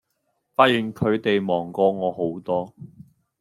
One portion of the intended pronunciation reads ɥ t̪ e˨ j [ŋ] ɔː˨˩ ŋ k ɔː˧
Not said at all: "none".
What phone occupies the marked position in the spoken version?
m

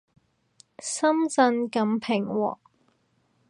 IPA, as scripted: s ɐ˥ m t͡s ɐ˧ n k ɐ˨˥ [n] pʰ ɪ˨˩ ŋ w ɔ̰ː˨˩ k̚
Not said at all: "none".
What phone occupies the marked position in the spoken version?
m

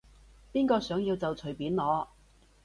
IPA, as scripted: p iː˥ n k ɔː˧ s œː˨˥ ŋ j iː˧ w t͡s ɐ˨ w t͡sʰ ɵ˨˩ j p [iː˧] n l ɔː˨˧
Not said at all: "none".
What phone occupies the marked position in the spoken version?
iː˨˥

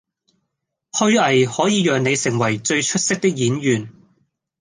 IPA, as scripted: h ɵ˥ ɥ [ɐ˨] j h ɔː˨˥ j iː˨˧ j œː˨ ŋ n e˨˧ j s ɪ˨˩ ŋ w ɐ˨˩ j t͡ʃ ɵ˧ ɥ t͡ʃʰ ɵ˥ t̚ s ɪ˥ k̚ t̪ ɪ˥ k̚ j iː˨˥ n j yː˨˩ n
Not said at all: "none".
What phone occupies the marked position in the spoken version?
ɐ˨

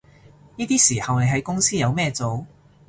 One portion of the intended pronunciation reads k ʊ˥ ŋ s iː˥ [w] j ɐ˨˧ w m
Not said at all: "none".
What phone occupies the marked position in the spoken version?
none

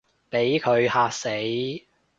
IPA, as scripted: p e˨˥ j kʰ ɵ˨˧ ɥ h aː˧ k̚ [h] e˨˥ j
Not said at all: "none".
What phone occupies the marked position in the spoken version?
s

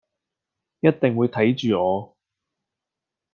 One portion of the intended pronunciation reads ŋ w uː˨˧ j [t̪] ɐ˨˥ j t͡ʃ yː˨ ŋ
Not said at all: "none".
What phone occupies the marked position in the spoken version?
t̪ʰ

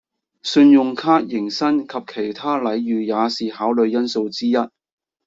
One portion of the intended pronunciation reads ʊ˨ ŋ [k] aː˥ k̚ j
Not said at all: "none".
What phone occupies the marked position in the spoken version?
kʰ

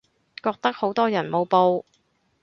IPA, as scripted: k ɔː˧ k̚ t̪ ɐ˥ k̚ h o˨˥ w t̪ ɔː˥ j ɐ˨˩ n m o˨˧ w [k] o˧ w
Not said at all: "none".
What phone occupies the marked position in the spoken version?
p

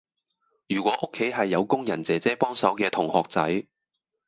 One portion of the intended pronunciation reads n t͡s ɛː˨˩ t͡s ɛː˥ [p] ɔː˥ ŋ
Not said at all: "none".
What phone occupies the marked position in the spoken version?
p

